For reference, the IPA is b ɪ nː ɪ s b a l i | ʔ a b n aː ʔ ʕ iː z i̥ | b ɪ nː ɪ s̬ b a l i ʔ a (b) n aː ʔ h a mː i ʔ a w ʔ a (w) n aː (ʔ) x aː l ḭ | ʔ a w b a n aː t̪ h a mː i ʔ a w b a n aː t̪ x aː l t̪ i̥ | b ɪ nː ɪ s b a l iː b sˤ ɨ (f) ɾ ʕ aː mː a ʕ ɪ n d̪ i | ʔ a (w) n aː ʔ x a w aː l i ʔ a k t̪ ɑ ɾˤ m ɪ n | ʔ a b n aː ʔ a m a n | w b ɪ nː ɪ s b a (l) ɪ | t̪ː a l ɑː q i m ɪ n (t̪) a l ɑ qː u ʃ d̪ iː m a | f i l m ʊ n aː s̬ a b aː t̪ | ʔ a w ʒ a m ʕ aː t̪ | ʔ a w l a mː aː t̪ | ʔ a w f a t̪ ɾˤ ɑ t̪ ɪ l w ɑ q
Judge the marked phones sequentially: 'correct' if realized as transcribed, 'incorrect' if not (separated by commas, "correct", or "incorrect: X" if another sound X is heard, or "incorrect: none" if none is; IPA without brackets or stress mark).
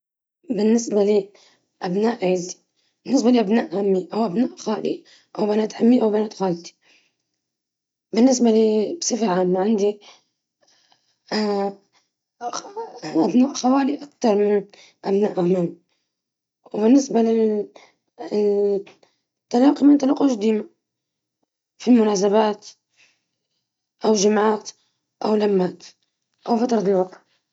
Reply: correct, incorrect: b, correct, correct, incorrect: b, correct, correct